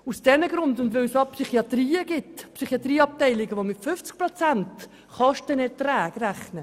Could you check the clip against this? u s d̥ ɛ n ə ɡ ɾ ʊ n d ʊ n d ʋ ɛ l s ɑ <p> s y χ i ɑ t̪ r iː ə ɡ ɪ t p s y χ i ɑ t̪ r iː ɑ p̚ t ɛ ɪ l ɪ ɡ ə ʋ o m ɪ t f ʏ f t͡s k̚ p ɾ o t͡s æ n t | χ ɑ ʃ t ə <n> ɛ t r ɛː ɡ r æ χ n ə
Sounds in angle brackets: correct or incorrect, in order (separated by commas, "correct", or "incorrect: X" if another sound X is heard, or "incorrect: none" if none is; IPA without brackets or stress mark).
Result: correct, correct